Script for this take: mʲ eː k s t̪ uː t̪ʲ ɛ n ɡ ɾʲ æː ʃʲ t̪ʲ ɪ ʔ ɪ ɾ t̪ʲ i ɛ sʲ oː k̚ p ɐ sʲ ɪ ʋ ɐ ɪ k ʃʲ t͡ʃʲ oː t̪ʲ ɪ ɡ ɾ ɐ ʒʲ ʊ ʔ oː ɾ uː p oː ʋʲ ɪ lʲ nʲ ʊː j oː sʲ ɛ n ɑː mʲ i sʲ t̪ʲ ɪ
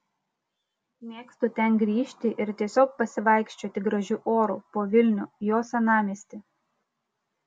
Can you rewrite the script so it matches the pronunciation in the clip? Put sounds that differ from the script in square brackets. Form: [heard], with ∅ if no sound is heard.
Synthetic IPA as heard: mʲ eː k s t̪ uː t̪ʲ ɛ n ɡ ɾʲ [iː] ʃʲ t̪ʲ ɪ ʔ ɪ ɾ t̪ʲ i ɛ sʲ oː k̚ p ɐ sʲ ɪ ʋ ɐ ɪ k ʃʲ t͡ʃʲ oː t̪ʲ ɪ ɡ ɾ ɐ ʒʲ ʊ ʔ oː ɾ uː p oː ʋʲ ɪ lʲ nʲ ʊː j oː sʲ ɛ n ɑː mʲ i sʲ t̪ʲ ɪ